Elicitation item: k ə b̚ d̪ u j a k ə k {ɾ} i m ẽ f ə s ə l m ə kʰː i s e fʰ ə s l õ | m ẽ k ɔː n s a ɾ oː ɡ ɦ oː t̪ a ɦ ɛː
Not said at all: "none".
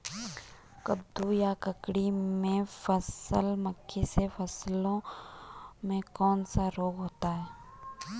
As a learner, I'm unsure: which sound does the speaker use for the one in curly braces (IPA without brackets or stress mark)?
ɽ